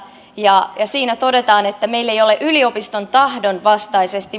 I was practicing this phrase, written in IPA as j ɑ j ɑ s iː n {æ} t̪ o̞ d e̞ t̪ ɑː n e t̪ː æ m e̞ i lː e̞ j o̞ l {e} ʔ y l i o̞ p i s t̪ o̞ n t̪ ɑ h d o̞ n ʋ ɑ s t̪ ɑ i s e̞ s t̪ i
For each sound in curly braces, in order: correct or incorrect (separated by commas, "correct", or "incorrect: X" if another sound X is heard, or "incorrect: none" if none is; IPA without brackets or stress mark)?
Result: correct, correct